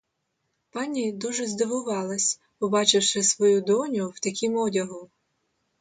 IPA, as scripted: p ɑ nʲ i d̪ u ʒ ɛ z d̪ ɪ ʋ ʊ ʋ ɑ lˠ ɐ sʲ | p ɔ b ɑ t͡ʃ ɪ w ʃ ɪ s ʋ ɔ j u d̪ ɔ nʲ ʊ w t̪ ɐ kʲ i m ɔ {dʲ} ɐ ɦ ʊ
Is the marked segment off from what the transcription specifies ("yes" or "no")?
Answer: no